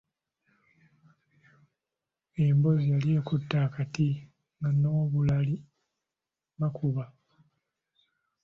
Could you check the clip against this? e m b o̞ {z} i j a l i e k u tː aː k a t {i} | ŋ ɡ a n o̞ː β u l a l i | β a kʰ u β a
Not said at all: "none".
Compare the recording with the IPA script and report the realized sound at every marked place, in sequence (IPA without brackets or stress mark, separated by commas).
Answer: z, i